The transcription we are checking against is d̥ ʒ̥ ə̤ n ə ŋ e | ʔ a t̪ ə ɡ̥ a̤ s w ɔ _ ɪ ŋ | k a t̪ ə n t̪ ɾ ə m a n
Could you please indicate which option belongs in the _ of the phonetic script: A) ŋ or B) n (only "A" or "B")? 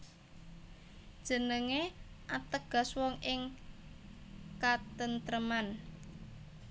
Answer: A